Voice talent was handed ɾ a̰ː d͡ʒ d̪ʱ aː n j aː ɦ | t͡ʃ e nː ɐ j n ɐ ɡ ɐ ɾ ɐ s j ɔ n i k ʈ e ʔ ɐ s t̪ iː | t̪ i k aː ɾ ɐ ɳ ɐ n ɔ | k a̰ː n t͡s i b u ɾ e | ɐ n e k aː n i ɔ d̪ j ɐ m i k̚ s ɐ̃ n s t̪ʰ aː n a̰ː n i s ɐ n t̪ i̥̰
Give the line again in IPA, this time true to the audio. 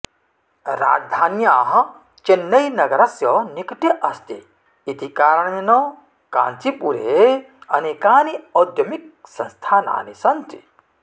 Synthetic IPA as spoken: ɾ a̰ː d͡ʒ d̪ʱ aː n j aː ɦ | t͡ʃ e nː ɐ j n ɐ ɡ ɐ ɾ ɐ s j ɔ n i k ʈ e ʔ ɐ s t̪ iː | t̪ i k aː ɾ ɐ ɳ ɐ n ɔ | k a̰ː n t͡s i p u ɾ e | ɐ n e k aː n i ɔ d̪ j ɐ m i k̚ s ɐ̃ n s t̪ʰ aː n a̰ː n i s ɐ n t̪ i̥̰

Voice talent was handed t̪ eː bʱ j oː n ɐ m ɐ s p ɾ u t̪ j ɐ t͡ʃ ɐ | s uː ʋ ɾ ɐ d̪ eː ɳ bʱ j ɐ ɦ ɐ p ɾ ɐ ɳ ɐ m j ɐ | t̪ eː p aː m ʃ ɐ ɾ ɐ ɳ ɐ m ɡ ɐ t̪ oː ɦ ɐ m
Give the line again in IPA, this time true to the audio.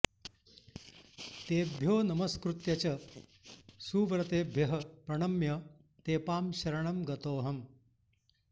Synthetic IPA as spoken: t̪ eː bʱ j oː n ɐ m ɐ s k ɾ u t̪ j ɐ t͡ʃ ɐ | s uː ʋ ɾ ɐ t̪ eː bʱ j ɐ ɦ ɐ p ɾ ɐ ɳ ɐ m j ɐ | t̪ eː p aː m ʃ ɐ ɾ ɐ ɳ ɐ m ɡ ɐ t̪ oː ɦ ɐ m

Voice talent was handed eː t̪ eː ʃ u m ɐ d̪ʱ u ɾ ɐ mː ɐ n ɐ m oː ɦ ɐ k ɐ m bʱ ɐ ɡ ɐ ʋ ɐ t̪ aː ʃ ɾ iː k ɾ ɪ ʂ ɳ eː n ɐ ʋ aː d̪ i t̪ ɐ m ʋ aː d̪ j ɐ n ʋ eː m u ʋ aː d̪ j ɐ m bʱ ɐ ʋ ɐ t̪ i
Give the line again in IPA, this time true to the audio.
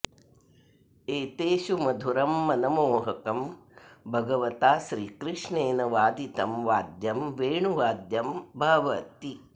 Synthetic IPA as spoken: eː t̪ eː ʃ u m ɐ d̪ʱ u ɾ ɐ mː ɐ n ɐ m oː ɦ ɐ k ɐ m bʱ ɐ ɡ ɐ ʋ ɐ t̪ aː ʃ ɾ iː k ɾ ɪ ʂ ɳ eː n ɐ ʋ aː d̪ i t̪ ɐ m ʋ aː d̪ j ɐ m ʋ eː ɳ u ʋ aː d̪ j ɐ m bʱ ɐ ʋ ɐ t̪ i

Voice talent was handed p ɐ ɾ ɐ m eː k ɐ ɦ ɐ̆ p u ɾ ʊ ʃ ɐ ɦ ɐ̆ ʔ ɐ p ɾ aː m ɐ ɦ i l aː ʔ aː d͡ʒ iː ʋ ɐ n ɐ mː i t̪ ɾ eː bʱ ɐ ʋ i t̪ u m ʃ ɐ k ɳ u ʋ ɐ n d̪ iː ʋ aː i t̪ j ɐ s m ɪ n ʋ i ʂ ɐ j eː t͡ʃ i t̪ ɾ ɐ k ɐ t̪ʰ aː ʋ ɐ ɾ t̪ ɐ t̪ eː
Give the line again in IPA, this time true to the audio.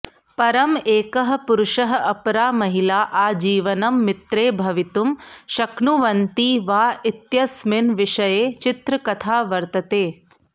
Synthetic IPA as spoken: p ɐ ɾ ɐ m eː k ɐ ɦ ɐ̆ p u ɾ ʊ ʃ ɐ ɦ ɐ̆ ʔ ɐ p ɾ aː m ɐ ɦ i l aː ʔ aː d͡ʒ iː ʋ ɐ n ɐ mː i t̪ ɾ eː bʱ ɐ ʋ i t̪ u m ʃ ɐ k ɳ u ʋ ɐ n t̪ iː ʋ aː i t̪ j ɐ s m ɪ n ʋ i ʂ ɐ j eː t͡ʃ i t̪ ɾ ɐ k ɐ t̪ʰ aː ʋ ɐ ɾ t̪ ɐ t̪ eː

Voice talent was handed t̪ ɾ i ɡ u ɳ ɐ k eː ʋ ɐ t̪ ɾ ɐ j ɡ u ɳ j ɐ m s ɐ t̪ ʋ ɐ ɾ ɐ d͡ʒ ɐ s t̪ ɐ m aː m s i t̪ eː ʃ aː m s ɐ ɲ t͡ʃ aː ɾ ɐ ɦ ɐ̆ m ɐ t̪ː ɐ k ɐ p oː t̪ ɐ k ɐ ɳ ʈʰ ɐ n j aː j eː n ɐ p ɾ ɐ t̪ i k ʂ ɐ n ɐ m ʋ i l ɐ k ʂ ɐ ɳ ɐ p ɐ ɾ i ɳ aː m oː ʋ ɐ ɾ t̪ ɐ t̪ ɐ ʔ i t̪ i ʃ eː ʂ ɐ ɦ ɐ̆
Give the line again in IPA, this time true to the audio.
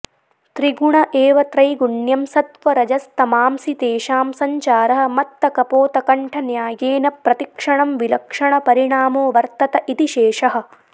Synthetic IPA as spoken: t̪ ɾ i ɡ u ɳ ɐ ʔ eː ʋ ɐ t̪ ɾ ɐ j ɡ u ɳ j ɐ m s ɐ t̪ ʋ ɐ ɾ ɐ d͡ʒ ɐ s t̪ ɐ m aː m s i t̪ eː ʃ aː m s ɐ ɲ t͡ʃ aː ɾ ɐ ɦ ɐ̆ m ɐ t̪ː ɐ k ɐ p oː t̪ ɐ k ɐ ɳ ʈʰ ɐ n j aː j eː n ɐ p ɾ ɐ t̪ i k ʂ ɐ ɳ ɐ m ʋ i l ɐ k ʂ ɐ ɳ ɐ p ɐ ɾ i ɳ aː m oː ʋ ɐ ɾ t̪ ɐ t̪ ɐ ʔ i t̪ i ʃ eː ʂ ɐ ɦ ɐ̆

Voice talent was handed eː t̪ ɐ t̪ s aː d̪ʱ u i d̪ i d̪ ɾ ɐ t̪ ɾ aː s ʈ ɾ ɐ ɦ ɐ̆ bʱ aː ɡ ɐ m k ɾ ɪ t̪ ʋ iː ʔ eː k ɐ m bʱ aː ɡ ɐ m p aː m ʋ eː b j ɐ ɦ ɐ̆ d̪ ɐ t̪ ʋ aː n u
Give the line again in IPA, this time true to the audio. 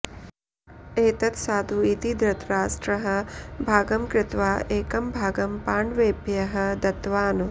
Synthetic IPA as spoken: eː t̪ ɐ t̪ s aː d̪ʱ u i t̪ i d̪ ɾ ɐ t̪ ɾ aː s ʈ ɾ ɐ ɦ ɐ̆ bʱ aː ɡ ɐ m k ɾ ɪ t̪ ʋ aː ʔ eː k ɐ m bʱ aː ɡ ɐ m p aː ɳ ʋ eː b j ɐ ɦ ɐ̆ d̪ ɐ t̪ ʋ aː n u

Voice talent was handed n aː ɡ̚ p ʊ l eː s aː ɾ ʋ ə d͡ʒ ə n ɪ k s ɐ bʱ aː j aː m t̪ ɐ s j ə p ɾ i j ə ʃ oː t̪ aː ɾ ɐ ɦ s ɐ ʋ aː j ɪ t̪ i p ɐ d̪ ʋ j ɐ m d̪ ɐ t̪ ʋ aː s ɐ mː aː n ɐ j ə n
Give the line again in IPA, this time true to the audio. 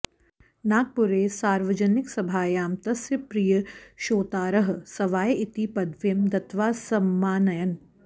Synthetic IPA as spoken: n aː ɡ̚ p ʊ ɾ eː s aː ɾ ʋ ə d͡ʒ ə n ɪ k s ɐ bʱ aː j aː m t̪ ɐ s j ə p ɾ i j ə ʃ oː t̪ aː ɾ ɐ ɦ s ɐ ʋ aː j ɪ t̪ i p ɐ d̪ ʋ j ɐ m d̪ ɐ t̪ ʋ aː s ɐ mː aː n ɐ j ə n

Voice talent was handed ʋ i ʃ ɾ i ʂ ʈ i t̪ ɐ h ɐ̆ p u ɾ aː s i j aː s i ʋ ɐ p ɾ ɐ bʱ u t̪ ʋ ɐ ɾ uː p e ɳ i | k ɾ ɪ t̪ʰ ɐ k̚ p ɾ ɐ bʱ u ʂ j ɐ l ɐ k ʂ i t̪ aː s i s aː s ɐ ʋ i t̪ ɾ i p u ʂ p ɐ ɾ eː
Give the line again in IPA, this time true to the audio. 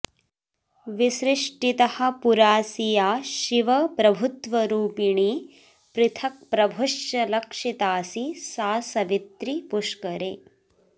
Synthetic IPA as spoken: ʋ i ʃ ɾ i ʂ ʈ i t̪ ɐ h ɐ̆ p u ɾ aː s i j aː ʃ i ʋ ɐ p ɾ ɐ bʱ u t̪ ʋ ɐ ɾ uː p i ɳ i | p ɾ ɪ t̪ʰ ɐ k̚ p ɾ ɐ bʱ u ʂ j ɐ l ɐ k ʂ i t̪ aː s i s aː s ɐ ʋ i t̪ ɾ i p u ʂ k ɐ ɾ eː

